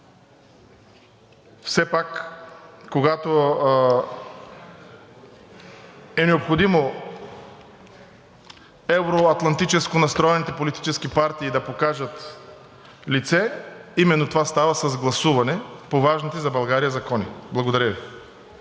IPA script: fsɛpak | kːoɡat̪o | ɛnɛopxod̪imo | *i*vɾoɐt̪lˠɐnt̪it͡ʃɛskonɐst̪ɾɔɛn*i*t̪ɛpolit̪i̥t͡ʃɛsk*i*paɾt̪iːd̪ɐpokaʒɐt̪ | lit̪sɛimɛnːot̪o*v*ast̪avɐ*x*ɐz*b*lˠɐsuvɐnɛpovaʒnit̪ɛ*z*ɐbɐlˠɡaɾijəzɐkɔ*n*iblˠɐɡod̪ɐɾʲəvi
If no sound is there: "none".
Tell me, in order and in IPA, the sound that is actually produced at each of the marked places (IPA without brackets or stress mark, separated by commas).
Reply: ɛ, i, i, v, s, ɡ, z, n